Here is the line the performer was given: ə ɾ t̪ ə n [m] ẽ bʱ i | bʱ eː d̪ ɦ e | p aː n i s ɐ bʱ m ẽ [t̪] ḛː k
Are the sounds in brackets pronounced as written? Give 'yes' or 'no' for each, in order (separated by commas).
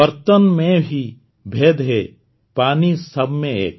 yes, no